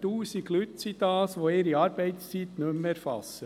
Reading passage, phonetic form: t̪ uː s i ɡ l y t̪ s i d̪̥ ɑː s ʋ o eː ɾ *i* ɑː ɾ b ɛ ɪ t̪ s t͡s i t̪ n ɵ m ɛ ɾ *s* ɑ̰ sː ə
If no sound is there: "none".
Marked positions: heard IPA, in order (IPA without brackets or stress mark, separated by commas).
i, f